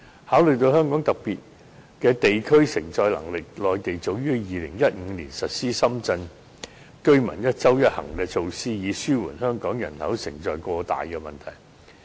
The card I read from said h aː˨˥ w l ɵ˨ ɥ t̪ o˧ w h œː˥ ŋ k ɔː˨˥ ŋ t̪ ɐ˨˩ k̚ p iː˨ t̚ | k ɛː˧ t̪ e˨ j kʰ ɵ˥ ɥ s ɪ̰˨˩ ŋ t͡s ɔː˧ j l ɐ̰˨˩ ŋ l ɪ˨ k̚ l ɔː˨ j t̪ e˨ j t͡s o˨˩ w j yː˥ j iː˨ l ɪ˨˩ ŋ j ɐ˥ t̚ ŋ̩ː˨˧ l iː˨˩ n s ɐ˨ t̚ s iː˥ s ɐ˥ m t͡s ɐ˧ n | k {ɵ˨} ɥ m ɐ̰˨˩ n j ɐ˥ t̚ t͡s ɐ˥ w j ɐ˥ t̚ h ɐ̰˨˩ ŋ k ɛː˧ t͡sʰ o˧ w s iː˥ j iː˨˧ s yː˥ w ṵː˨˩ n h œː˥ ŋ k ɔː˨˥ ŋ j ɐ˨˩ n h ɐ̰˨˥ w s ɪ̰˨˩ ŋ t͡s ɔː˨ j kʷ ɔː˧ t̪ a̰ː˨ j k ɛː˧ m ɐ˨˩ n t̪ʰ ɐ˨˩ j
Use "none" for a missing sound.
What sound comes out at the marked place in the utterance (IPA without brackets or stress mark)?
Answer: ɵ˥